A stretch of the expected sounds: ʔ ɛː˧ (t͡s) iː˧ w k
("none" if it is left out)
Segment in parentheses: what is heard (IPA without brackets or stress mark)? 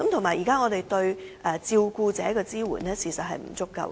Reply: t͡s